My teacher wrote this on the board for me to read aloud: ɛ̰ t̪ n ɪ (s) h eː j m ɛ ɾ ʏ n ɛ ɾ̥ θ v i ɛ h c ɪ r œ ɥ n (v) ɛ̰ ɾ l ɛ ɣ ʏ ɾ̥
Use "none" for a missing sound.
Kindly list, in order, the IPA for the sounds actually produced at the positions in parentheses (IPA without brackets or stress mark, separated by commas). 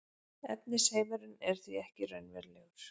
s, v